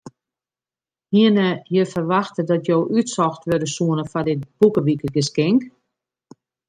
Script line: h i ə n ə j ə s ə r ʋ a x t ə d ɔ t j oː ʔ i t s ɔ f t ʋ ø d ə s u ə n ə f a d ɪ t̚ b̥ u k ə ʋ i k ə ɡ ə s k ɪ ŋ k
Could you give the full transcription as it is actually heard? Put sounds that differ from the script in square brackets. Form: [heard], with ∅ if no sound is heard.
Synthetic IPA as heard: h i ə n ə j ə [f] ə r ʋ a x t ə d ɔ t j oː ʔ [y] t s ɔ [x] t ʋ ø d ə s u ə n ə f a d ɪ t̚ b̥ u k ə ʋ i k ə ɡ ə s k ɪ ŋ k